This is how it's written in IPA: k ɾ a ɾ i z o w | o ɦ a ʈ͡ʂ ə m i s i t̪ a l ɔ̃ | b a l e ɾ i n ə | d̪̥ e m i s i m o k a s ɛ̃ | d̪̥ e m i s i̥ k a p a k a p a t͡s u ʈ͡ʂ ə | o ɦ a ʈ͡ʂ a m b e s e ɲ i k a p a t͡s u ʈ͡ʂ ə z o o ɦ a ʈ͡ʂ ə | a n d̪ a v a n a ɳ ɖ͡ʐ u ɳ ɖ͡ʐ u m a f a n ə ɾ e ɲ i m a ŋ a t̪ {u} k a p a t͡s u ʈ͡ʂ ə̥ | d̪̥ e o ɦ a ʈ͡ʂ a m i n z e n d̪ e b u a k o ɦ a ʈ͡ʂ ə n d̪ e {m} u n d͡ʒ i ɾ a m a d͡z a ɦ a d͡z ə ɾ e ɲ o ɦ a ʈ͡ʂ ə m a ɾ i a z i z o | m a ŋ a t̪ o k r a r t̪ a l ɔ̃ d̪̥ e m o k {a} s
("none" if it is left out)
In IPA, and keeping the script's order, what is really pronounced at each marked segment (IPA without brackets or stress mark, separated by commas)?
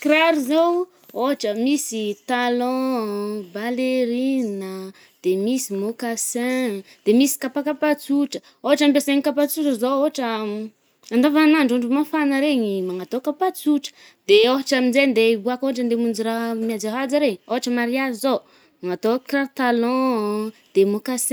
o, m, a